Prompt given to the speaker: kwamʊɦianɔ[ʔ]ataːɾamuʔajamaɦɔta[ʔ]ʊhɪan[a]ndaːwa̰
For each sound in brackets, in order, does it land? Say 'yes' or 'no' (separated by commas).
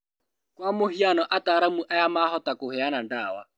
yes, no, yes